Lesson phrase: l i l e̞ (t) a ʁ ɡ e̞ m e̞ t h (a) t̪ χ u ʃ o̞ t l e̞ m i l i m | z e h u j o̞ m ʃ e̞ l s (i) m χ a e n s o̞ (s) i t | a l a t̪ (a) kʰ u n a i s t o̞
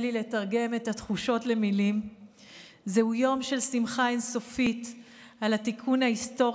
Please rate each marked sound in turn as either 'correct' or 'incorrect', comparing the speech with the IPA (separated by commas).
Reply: correct, correct, correct, incorrect, incorrect